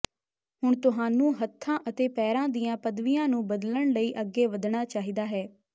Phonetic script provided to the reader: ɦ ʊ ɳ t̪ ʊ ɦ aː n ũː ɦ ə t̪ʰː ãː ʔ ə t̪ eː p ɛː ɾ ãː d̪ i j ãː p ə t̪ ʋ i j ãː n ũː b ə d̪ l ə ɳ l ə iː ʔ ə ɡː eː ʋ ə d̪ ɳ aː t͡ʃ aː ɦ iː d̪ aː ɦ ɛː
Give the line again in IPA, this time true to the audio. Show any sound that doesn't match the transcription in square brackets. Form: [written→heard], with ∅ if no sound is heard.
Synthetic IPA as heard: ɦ ʊ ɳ t̪ ʊ ɦ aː n ũː ɦ ə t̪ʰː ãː ʔ ə t̪ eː p ɛː ɾ ãː d̪ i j ãː p ə [t̪→d̪] ʋ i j ãː n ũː b ə d̪ l ə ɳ l ə iː ʔ ə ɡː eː ʋ ə d̪ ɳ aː t͡ʃ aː ɦ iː d̪ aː ɦ ɛː